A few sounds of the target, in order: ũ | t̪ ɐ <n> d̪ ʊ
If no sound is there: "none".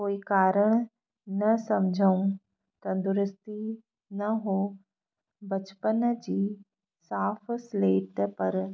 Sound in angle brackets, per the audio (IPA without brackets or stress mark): n